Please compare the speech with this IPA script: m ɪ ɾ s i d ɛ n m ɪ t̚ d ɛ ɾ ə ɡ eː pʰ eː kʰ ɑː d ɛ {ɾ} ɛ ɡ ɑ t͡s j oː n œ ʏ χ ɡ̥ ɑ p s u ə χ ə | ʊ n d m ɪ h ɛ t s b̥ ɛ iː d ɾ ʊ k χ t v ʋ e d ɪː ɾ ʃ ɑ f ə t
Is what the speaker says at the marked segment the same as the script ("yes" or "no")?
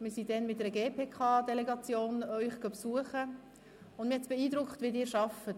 no